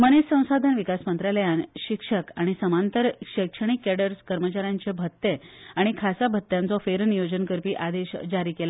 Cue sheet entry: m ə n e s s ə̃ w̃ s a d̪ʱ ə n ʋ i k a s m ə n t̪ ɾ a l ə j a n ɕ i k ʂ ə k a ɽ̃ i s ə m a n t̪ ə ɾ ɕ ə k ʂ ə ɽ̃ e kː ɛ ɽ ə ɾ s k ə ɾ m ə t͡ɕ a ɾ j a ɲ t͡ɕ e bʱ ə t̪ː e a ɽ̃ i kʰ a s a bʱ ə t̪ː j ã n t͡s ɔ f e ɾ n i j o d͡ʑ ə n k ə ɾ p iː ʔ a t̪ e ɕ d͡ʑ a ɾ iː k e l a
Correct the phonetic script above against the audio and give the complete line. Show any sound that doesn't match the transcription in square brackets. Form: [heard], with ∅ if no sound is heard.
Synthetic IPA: m ə n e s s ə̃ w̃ s a d̪ʱ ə n ʋ i k a s m ə n t̪ ɾ a l ə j a n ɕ i k ʂ ə k a ɽ̃ i s ə m a n t̪ ə ɾ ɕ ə k ʂ ə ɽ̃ [i] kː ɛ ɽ ə ɾ s k ə ɾ m ə t͡ɕ a ɾ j a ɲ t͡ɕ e bʱ ə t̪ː e a ɽ̃ i kʰ a s a bʱ ə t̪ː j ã n t͡s ɔ f e ɾ n i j o d͡ʑ ə n k ə ɾ p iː ʔ a [d̪] e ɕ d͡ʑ a ɾ iː k e l a